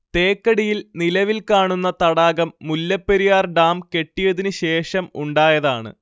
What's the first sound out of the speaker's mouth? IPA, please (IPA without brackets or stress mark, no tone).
t̪